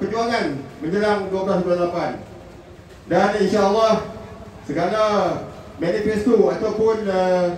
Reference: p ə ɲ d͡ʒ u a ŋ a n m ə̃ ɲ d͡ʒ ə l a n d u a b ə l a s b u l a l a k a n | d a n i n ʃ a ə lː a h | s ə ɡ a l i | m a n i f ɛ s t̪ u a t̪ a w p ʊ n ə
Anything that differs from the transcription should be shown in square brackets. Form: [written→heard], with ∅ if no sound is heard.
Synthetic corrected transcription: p ə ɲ d͡ʒ u a ŋ a n m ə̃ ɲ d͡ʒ ə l a [n→ŋ] d u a b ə l a s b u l a l a [k→p] a n | d a n i n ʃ a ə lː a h | s ə ɡ a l [i→a] | m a n i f ɛ s t̪ u a t̪ a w p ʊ n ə